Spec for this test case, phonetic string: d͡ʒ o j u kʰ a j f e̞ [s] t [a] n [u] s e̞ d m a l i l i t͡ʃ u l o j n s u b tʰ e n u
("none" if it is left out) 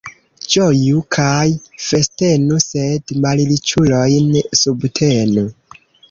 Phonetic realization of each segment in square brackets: s, e, u

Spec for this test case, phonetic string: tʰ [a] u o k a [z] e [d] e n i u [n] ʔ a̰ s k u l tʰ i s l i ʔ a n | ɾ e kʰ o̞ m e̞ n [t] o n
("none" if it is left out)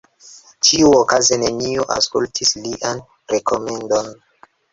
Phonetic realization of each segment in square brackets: i, z, n, none, d

